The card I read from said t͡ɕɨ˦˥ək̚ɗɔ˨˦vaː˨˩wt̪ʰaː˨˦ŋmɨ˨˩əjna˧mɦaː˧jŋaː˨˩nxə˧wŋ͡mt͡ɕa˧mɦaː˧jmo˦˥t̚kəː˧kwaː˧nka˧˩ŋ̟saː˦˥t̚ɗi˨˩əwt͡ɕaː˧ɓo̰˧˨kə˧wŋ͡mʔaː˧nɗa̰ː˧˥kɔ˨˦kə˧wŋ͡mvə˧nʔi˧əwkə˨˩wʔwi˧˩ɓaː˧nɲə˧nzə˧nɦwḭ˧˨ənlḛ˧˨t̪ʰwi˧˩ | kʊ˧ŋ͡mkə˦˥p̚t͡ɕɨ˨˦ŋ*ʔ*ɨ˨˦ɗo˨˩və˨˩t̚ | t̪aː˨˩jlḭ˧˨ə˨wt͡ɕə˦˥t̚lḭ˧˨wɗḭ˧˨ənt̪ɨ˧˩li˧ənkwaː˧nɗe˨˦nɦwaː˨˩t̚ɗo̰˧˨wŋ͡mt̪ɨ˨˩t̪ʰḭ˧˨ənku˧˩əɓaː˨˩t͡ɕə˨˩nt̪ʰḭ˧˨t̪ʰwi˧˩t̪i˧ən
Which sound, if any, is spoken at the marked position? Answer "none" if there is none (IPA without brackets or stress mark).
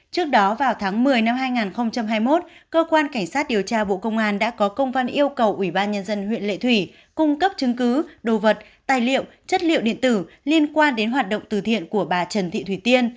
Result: k